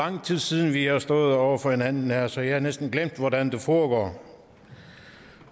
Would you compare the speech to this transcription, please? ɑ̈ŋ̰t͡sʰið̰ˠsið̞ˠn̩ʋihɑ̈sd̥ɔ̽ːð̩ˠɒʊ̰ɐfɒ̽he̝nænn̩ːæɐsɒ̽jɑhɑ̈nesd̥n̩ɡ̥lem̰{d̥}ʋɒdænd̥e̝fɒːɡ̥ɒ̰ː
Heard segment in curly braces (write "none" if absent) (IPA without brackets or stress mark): d̥